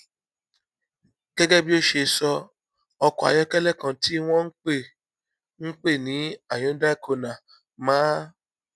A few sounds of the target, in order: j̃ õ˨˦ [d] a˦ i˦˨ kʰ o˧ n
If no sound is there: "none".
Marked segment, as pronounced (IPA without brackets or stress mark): d